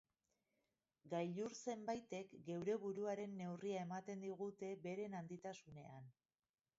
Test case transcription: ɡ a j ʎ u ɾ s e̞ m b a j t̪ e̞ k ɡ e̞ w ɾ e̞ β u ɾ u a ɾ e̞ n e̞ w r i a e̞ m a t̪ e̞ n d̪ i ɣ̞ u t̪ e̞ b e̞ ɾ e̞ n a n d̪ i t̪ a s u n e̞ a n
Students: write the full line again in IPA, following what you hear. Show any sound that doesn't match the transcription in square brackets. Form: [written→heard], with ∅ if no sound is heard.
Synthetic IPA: ɡ a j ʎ u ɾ s e̞ m b a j t̪ e̞ k ɡ e̞ w ɾ e̞ β u ɾ u a ɾ e̞ [n→nː] e̞ w r i a e̞ m a t̪ e̞ n d̪ i ɣ̞ u t̪ e̞ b e̞ ɾ e̞ n a n d̪ i t̪ a s u n e̞ a n

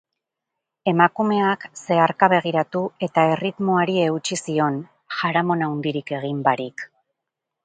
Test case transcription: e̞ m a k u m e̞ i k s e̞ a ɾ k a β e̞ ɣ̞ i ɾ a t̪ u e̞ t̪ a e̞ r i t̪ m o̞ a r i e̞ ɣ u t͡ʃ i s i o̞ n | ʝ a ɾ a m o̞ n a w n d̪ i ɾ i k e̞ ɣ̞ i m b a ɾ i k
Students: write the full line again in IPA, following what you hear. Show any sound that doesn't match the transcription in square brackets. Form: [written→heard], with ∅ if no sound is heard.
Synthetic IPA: e̞ m a k u m e̞ [i→a] k s e̞ a ɾ k a β e̞ ɣ̞ i ɾ a t̪ u e̞ t̪ a e̞ r i t̪ m o̞ a [r→ɾ] i e̞ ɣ u t͡ʃ i s i o̞ n | ʝ a ɾ a m o̞ n a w n d̪ i ɾ i k e̞ ɣ̞ i m b a ɾ i k

